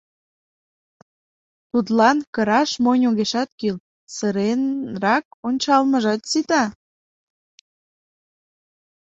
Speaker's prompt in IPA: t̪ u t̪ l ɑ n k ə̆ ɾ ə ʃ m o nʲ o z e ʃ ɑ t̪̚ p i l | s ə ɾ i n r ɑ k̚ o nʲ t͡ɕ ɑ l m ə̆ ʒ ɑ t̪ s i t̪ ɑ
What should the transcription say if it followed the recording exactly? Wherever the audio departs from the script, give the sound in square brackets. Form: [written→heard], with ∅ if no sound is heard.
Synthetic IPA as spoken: t̪ u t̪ l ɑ n k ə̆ ɾ [ə→ɑ] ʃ m o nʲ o [z→ɣ] e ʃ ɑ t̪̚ [p→k] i l | s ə ɾ [i→e] n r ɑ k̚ o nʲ t͡ɕ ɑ l m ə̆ ʒ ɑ t̪ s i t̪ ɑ